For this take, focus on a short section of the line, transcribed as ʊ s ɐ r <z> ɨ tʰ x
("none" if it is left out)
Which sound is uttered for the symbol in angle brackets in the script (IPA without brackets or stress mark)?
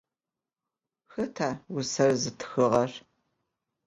z